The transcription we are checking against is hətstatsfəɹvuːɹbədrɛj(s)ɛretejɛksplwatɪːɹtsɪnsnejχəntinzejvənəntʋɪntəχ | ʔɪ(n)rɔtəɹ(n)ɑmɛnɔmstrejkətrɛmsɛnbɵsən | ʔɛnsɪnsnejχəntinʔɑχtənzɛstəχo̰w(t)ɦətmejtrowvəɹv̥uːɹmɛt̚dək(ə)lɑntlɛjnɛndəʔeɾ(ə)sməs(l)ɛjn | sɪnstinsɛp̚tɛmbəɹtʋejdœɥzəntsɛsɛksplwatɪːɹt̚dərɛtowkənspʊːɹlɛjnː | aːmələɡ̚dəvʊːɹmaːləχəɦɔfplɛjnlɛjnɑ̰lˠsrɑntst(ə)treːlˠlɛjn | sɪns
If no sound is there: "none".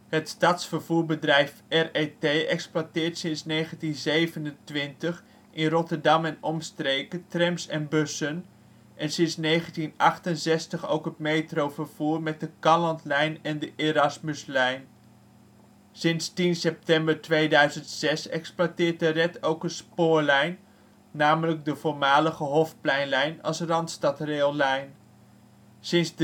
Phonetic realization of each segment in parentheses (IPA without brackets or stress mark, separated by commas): f, n, d, k, ɑ, ɑ, l, ɑ